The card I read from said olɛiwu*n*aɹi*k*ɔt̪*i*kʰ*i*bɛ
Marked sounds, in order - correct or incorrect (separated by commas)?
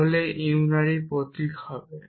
correct, incorrect, correct, incorrect